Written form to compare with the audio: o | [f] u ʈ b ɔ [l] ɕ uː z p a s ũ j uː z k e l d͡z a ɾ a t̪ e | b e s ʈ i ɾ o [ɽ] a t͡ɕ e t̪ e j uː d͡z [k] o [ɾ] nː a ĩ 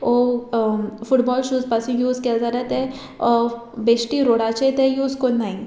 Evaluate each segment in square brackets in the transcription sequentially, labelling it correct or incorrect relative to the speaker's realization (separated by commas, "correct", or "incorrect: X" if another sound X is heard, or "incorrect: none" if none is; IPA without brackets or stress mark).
correct, correct, correct, correct, incorrect: none